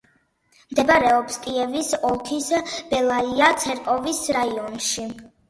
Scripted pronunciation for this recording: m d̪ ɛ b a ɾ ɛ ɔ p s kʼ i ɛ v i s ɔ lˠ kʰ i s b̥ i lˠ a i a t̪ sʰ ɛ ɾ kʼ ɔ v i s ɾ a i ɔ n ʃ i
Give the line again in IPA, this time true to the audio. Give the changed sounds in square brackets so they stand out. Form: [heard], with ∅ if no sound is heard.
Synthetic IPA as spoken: m d̪ ɛ b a ɾ ɛ ɔ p s kʼ i ɛ v i s ɔ lˠ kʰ i s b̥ [ɛ] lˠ a i a t̪ sʰ ɛ ɾ kʼ ɔ v i s ɾ a i ɔ n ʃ i